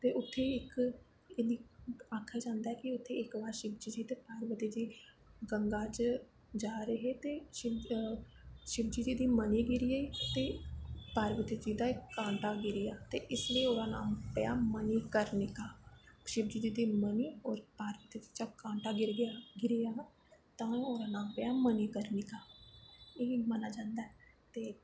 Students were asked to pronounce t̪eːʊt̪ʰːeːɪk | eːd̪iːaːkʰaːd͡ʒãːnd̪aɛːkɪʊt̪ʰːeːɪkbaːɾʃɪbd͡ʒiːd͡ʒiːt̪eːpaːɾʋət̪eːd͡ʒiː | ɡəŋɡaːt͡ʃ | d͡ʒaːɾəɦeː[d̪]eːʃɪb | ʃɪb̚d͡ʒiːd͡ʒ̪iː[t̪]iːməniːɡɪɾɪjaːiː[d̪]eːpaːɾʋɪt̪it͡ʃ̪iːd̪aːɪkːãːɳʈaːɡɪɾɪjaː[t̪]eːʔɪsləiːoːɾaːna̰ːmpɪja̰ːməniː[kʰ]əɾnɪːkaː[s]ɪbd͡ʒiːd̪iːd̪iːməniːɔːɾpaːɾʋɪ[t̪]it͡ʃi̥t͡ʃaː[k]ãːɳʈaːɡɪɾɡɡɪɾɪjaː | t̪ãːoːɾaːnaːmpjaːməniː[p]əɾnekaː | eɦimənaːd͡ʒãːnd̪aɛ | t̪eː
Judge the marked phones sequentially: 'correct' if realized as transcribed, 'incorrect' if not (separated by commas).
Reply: incorrect, incorrect, incorrect, correct, incorrect, incorrect, correct, correct, incorrect